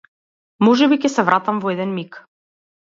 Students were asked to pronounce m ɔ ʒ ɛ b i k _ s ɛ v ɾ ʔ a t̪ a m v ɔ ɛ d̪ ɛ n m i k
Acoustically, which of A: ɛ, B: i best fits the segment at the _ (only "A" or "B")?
A